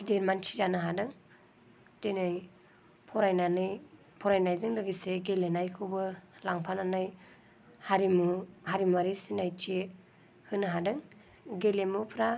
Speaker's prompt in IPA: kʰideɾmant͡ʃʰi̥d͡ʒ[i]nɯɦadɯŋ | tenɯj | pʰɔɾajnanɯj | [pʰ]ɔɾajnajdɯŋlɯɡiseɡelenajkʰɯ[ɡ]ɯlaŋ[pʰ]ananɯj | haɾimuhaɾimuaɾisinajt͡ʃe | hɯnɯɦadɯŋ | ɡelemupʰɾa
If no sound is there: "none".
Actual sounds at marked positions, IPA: a, pʰ, b, pʰ

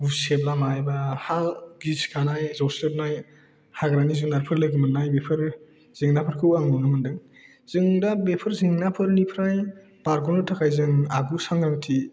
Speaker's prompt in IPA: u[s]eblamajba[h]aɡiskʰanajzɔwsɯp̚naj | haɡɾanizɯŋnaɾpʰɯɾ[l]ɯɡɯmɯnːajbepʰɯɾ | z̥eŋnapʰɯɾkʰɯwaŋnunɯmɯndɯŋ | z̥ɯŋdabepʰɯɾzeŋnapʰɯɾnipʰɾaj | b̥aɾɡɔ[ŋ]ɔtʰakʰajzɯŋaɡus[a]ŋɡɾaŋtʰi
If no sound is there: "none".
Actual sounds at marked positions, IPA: s, h, l, n, a

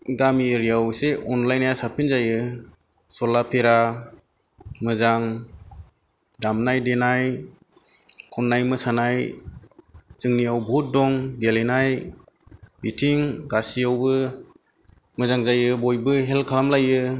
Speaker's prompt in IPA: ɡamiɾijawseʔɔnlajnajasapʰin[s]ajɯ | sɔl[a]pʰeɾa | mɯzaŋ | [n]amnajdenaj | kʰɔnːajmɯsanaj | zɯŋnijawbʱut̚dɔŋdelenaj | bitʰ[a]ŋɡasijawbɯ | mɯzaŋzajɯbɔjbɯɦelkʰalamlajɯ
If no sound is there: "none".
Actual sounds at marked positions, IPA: z, a, d, i

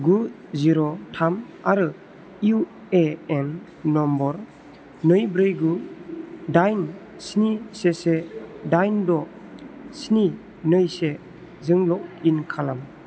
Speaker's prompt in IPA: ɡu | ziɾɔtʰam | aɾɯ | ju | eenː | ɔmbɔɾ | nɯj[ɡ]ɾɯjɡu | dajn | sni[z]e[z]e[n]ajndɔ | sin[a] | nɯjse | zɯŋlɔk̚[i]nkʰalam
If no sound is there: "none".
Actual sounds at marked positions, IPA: b, s, s, d, i, i

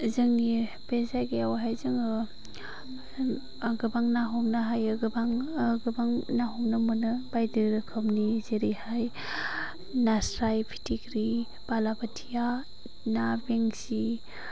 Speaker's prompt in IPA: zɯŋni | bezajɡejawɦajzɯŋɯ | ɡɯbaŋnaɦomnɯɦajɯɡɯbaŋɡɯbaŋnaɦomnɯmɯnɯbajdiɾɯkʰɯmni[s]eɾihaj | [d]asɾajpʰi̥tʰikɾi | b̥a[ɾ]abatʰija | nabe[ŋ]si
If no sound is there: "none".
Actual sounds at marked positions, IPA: z, n, l, ŋ

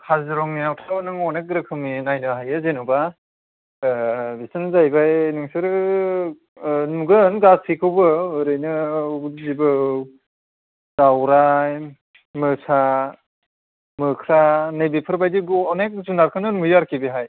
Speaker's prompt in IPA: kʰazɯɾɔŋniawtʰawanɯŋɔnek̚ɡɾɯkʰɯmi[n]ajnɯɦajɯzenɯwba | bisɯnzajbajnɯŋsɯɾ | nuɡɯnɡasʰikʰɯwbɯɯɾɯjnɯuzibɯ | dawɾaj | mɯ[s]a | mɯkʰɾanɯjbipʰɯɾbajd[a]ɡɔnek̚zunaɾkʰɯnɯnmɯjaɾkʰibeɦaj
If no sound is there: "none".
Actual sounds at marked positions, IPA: n, s, i

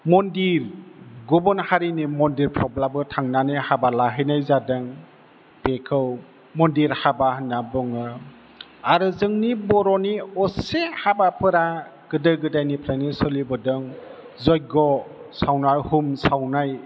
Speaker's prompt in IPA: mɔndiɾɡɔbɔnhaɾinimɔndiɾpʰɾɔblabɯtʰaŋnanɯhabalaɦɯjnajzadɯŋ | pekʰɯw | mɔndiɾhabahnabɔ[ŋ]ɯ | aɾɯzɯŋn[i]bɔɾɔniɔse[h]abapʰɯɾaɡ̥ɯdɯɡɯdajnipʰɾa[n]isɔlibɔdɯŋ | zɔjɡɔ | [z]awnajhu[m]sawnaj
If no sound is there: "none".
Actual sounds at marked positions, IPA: ŋ, i, h, n, s, m

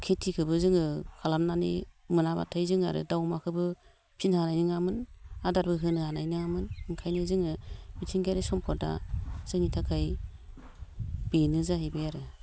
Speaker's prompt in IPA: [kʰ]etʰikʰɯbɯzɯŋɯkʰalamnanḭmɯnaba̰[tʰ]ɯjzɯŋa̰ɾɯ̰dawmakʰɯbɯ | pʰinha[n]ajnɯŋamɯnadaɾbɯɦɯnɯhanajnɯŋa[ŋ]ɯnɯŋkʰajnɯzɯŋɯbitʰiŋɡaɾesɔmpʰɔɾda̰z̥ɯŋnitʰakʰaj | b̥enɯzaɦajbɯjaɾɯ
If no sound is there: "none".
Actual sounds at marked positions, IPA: kʰ, tʰ, n, m

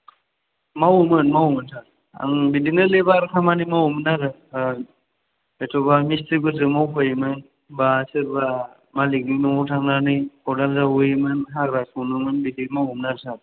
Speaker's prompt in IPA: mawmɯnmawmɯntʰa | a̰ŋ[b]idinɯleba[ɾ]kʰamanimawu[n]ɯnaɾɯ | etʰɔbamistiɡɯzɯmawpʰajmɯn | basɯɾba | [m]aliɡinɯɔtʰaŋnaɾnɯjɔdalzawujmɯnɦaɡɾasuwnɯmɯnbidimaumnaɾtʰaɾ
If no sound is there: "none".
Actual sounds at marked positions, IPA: b, ɾ, m, m

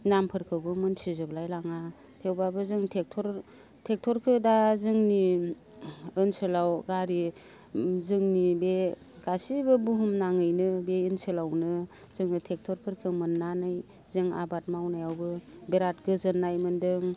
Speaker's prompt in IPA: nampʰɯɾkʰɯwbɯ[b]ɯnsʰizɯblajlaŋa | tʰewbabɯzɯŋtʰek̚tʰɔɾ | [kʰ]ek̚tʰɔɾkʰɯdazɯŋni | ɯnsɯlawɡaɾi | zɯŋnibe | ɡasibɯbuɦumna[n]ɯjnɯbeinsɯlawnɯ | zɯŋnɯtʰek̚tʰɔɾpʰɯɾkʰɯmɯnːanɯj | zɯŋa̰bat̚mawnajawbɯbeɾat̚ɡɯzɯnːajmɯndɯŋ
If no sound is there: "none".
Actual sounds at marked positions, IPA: m, tʰ, ŋ

